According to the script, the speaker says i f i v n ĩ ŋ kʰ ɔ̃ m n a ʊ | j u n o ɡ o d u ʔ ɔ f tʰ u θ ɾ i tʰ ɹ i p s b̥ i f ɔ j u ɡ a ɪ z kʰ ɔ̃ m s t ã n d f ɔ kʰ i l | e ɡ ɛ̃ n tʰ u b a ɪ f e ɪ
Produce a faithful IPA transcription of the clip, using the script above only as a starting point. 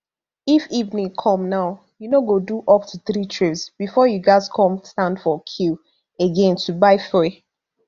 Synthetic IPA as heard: i f i v n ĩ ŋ kʰ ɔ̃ m n a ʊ | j u n o ɡ o d u ʔ ɔ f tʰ u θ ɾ i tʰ ɹ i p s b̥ i f ɔ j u ɡ a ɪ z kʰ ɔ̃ m s t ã n d f ɔ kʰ i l | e ɡ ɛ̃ n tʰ u b a ɪ f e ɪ